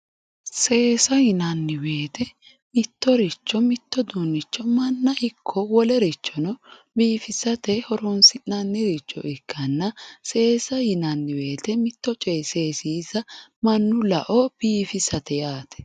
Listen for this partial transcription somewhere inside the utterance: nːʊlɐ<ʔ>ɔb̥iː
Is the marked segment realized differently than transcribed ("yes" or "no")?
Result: no